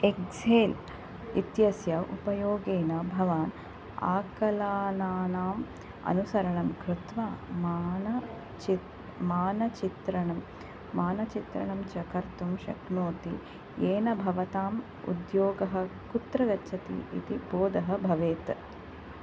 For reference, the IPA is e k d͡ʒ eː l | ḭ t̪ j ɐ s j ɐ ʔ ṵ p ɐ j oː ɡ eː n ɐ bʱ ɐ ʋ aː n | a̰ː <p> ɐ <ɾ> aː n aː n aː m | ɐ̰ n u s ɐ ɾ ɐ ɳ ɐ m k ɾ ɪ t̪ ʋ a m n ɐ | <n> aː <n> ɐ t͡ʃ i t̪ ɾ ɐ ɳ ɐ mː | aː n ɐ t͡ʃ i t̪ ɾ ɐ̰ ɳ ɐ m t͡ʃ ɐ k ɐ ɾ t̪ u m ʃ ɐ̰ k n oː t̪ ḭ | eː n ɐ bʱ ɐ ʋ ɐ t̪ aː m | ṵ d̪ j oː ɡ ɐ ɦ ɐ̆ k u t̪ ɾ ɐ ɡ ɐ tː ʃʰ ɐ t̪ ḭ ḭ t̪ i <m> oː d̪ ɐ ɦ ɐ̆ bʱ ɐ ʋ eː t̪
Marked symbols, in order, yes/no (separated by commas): no, no, no, yes, no